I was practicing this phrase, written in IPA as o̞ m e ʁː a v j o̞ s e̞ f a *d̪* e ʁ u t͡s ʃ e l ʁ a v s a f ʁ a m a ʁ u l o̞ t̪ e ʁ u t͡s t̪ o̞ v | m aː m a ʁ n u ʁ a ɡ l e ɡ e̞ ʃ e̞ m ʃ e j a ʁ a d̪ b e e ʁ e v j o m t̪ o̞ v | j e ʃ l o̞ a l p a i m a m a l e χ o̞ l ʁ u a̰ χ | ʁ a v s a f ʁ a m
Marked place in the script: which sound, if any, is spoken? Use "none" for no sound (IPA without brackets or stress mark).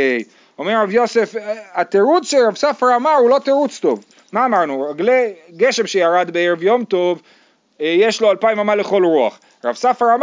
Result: t̪